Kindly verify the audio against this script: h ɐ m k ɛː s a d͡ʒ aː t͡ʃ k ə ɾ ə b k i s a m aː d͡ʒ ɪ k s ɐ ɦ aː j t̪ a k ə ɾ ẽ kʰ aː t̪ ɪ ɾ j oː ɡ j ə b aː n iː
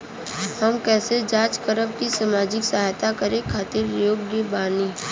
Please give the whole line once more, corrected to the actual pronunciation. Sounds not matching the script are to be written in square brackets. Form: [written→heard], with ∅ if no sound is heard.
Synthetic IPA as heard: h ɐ m k ɛː s [a→e] d͡ʒ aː t͡ʃ k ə ɾ ə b k i s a m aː d͡ʒ ɪ k s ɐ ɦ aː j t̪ a k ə ɾ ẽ kʰ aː t̪ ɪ ɾ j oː ɡ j ə b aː n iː